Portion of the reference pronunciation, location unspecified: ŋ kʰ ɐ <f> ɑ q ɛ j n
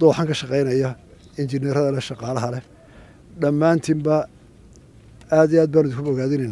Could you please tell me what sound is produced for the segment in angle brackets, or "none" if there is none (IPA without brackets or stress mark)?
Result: ʃ